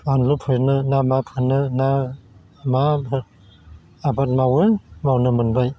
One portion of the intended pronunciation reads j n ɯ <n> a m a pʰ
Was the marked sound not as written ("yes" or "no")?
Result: no